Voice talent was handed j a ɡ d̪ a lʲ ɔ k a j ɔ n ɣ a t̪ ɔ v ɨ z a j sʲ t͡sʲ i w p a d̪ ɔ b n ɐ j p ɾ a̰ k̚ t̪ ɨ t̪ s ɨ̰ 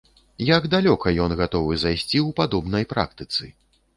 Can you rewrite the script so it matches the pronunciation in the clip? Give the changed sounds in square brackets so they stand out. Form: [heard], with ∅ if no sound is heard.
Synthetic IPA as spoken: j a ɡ d̪ a lʲ ɔ k [ɐ] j ɔ n ɣ a t̪ ɔ v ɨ z a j sʲ t͡sʲ i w p a d̪ ɔ b n ɐ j p ɾ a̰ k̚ t̪ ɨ t̪ s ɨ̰